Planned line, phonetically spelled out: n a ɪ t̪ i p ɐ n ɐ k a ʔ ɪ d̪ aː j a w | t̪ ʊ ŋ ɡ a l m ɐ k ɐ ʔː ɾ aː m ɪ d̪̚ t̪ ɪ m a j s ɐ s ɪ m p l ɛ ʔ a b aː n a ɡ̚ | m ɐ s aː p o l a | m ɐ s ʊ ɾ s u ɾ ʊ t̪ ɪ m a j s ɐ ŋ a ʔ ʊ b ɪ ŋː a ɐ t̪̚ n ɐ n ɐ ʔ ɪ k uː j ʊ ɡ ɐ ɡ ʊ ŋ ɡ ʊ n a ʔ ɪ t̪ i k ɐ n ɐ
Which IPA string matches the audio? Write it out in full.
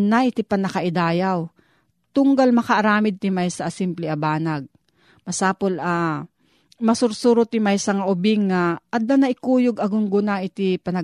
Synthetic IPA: n a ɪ t̪ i p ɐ n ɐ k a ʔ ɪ d̪ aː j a w | t̪ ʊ ŋ ɡ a l m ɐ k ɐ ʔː ɾ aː m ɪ d̪̚ t̪ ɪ m a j s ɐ s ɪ m p l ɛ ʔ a b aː n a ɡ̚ | m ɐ s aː p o l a | m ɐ s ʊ ɾ s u ɾ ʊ t̪ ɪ m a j s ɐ ŋ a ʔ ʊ b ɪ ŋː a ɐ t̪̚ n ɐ n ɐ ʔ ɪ k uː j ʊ ɡ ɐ ɡ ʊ ŋ ɡ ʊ n a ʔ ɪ t̪ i p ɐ n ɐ